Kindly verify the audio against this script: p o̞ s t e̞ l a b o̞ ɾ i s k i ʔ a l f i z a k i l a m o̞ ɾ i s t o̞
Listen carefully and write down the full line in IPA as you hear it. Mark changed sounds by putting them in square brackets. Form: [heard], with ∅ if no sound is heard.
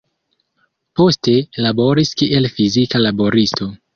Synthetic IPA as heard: p o̞ s t e̞ l a b o̞ ɾ i s k i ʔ [e] l f i z [i] k [a] l a [b] o̞ ɾ i s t o̞